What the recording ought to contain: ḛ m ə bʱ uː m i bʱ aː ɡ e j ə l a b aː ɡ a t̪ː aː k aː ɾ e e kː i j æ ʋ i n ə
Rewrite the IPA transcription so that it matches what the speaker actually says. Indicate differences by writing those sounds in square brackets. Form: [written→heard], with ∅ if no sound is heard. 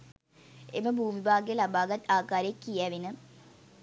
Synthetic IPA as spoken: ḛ m ə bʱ uː m i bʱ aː ɡ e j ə l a b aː ɡ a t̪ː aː k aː ɾ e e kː i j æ ʋ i n ə

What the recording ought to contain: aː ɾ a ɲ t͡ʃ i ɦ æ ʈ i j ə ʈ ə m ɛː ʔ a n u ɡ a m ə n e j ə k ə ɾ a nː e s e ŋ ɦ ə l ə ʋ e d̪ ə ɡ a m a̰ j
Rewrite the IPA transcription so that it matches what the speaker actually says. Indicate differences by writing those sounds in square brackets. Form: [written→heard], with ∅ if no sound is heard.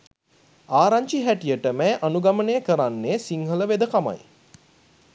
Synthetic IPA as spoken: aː ɾ a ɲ t͡ʃ i ɦ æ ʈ i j ə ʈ ə m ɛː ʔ a n u ɡ a m ə n e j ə k ə ɾ a nː e s [e→i] ŋ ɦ ə l ə ʋ e d̪ ə [ɡ→k] a m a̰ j

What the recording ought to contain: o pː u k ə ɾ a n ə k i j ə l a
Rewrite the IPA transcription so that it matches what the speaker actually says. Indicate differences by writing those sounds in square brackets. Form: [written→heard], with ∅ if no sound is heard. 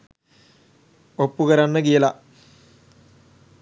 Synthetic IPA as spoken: o pː u k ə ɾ a [n→nː] ə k i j ə l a

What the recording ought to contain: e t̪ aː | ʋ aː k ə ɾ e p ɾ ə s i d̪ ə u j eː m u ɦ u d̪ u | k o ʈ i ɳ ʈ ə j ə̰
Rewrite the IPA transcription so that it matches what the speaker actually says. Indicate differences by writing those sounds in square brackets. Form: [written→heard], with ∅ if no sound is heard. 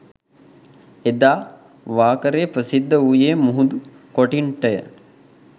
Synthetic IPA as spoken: e [t̪→d̪] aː | ʋ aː k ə ɾ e p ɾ ə s i [d̪→d̪ː] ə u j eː m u ɦ u d̪ u | k o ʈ i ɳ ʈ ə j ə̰

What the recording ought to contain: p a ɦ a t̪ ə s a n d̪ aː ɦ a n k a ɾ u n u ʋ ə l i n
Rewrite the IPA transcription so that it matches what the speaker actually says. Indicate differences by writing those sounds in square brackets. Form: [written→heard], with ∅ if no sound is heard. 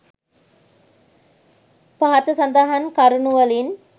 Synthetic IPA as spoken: p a ɦ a t̪ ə s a n d̪ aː ɦ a n k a ɾ u n u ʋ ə l i n

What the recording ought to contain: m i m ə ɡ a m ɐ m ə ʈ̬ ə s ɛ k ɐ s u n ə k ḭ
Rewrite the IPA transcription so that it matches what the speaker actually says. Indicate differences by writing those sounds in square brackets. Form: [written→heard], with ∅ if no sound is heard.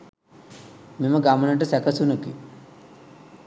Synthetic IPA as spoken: m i m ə ɡ a m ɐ [m→n] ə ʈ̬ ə s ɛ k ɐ s u n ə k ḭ

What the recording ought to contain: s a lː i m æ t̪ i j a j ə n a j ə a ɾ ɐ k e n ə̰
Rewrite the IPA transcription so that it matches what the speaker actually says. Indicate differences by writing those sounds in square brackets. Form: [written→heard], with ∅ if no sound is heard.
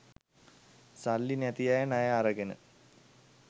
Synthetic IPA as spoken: s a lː i [m→n] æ t̪ i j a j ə n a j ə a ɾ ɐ [k→ɡ] e n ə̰

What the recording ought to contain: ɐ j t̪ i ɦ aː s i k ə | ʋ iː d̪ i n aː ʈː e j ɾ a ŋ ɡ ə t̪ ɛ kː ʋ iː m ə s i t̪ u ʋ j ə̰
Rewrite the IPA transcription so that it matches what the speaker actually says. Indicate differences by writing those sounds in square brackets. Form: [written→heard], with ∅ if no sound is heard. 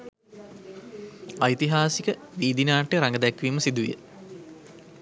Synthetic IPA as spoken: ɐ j t̪ i ɦ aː s i k ə | ʋ iː d̪ i n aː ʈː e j ɾ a ŋ ɡ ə [t̪→d̪] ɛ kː ʋ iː m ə s i [t̪→d̪] u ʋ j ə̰

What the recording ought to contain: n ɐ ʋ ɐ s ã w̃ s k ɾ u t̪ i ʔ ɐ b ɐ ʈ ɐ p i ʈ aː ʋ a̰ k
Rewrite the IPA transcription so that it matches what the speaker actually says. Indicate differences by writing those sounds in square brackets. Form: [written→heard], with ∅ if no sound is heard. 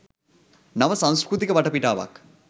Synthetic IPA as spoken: n ɐ ʋ ɐ s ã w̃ s k ɾ u t̪ i [ʔ→k] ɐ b ɐ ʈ ɐ p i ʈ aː ʋ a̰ k

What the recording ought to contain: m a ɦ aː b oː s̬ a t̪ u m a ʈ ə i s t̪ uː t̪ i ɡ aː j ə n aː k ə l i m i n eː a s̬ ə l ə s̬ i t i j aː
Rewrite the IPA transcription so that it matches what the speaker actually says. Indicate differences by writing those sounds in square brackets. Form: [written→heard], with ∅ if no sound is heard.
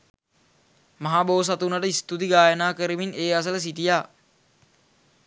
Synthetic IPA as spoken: m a ɦ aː b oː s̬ a t̪ u [m→n] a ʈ ə i s t̪ [uː→u] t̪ i ɡ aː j ə n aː k ə [l→ɾ] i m i n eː a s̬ ə l ə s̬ i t i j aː

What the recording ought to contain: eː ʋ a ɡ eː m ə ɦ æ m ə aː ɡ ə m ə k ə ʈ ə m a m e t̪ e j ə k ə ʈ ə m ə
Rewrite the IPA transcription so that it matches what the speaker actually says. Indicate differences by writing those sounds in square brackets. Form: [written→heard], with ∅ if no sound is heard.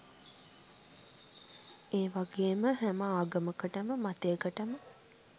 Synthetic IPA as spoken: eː ʋ a ɡ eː m ə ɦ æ m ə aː ɡ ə m ə k ə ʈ ə m [a→ə] m [e→a] t̪ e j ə k ə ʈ ə m ə

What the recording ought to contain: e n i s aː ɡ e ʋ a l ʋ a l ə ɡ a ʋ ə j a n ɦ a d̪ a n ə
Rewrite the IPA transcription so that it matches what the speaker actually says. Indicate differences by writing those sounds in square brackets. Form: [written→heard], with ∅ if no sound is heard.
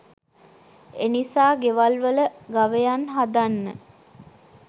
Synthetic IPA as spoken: e n i s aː ɡ e ʋ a l ʋ [a→ə] l ə ɡ a ʋ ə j a n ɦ a d̪ a [n→nː] ə

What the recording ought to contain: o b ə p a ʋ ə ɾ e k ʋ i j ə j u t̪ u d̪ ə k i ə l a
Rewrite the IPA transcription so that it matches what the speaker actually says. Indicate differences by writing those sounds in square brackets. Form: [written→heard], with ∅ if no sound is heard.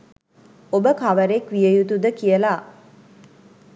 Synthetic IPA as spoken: o b ə [p→k] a ʋ ə ɾ e k ʋ i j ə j u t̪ u d̪ ə k i ə l a

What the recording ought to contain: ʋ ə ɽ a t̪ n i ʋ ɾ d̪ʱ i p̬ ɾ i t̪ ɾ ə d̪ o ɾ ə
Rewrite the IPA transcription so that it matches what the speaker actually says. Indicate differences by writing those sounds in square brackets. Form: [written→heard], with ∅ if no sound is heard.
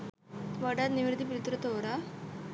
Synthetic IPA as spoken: ʋ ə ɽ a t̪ n i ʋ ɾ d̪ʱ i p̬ ɾ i t̪ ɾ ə [d̪→t̪] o ɾ [ə→a]

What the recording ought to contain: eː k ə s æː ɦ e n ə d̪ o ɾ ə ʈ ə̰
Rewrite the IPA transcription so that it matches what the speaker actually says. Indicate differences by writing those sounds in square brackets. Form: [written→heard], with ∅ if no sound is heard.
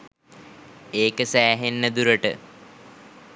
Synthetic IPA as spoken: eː k ə s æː ɦ e [n→nː] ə d̪ [o→u] ɾ ə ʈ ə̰

